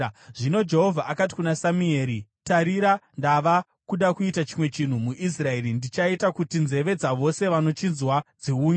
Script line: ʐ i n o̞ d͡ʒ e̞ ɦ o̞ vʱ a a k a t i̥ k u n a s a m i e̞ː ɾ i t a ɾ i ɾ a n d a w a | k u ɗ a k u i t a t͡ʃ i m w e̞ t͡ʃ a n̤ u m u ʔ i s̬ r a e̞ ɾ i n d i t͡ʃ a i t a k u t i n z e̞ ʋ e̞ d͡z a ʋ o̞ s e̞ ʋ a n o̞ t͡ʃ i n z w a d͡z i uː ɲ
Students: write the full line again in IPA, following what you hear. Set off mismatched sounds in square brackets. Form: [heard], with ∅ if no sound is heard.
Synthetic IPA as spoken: ʐ i n o̞ d͡ʒ e̞ ɦ o̞ vʱ a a k a t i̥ k u n a s a m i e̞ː ɾ i t a ɾ i ɾ a n d a [ʋ] a | k u ɗ a k u i t a t͡ʃ i m w e̞ t͡ʃ [i] n̤ u m u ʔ i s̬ r a e̞ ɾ i n d i t͡ʃ a i t a k u t i n z e̞ ʋ e̞ d͡z a ʋ o̞ s e̞ ʋ a n o̞ t͡ʃ i n z w a d͡z i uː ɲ

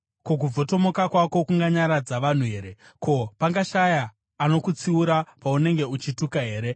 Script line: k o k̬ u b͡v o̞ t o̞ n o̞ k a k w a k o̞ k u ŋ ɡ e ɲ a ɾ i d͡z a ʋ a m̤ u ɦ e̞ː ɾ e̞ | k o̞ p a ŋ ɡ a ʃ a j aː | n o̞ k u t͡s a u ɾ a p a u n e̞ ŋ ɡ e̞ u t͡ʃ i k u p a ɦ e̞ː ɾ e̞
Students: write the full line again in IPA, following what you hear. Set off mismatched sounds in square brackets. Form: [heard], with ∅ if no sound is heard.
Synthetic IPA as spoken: k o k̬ u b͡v o̞ t o̞ [m] o̞ k a k w a k o̞ k u ŋ ɡ [a] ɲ a ɾ [a] d͡z a ʋ a [n̤] u ɦ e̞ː ɾ e̞ | k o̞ p a ŋ ɡ a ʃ a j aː | n o̞ k u t͡s [i] u ɾ a p a u n e̞ ŋ ɡ e̞ u t͡ʃ i [t] u [k] a ɦ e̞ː ɾ e̞

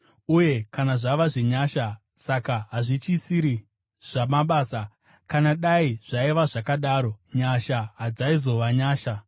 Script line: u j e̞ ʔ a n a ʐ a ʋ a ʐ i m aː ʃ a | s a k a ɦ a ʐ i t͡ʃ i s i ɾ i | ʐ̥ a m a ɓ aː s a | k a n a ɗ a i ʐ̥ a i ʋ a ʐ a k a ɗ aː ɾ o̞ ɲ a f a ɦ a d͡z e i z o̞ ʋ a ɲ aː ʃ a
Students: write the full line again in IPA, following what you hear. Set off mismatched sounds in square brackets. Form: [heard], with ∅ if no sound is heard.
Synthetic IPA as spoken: u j e̞ [k] a n a ʐ a ʋ a ʐ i [ɲ] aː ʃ a | s a k a ɦ a ʐ i t͡ʃ i s i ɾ i | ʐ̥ a m a ɓ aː s a | k a n a ɗ a i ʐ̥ a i ʋ a ʐ a k a ɗ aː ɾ o̞ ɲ a [ʃ] a ɦ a d͡z [a] i z o̞ ʋ a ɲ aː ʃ a

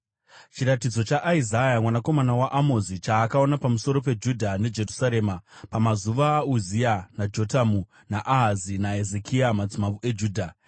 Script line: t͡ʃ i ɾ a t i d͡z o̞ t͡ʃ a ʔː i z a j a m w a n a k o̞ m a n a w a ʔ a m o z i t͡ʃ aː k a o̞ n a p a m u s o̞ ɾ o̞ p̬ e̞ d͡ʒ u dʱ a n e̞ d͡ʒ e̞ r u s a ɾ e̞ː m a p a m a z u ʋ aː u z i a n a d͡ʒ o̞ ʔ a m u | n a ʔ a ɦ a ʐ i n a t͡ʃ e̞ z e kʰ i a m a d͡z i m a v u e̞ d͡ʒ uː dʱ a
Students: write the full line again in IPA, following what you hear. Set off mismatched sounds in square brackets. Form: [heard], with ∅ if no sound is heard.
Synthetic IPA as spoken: t͡ʃ i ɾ a t i d͡z o̞ t͡ʃ a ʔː i z a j a m w a n a k o̞ m a n a w a ʔ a m o z i t͡ʃ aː k a o̞ n a p a m u s o̞ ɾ o̞ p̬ e̞ d͡ʒ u dʱ a n e̞ d͡ʒ e̞ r u s a ɾ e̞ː m a p a m a z u ʋ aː u z i a n a d͡ʒ o̞ [t] a m u | n a ʔ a ɦ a [z] i n a [∅] e̞ z e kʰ i a m a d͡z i m a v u e̞ d͡ʒ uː dʱ a

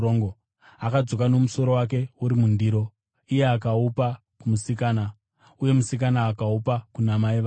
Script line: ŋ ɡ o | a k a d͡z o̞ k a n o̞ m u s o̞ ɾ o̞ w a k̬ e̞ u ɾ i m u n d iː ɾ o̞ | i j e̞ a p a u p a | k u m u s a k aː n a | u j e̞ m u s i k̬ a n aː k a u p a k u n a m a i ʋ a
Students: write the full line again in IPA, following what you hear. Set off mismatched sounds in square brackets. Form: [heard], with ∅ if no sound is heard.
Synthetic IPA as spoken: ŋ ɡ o | a k a d͡z o̞ k a n o̞ m u s o̞ ɾ o̞ w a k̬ e̞ u ɾ i m u n d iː ɾ o̞ | i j e̞ a [k] a u p a | k u m u s [i] k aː n a | u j e̞ m u s i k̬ a n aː k a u p a k u n a m a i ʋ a

